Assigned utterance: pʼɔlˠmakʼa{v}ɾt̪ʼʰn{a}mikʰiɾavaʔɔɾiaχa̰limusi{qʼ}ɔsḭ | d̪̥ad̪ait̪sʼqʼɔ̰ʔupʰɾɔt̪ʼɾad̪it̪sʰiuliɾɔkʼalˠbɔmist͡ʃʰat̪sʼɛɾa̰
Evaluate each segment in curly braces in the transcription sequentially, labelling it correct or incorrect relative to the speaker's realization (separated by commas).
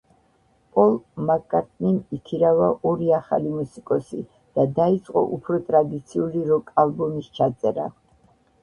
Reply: incorrect, incorrect, incorrect